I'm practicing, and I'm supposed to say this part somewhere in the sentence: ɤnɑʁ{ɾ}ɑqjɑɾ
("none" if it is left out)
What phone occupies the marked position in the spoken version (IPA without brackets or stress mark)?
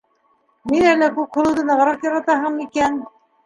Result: ɾ